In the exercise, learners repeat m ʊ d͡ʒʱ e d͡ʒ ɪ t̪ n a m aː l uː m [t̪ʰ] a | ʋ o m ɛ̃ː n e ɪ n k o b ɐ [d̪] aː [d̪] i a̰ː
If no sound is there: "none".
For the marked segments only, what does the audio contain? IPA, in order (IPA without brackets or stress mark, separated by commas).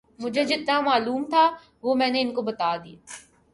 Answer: t̪ʰ, t̪, d̪